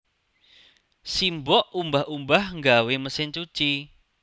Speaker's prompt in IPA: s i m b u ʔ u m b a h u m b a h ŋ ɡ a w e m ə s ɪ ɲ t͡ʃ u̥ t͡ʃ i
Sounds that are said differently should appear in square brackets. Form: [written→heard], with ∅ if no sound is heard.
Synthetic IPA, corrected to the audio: s i m b [u→ɔ] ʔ u m b a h u m b a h ŋ ɡ a w e m ə s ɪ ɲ t͡ʃ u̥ t͡ʃ i